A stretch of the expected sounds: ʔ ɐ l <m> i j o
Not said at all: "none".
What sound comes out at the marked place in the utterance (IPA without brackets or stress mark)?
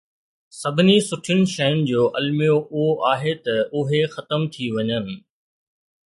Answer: m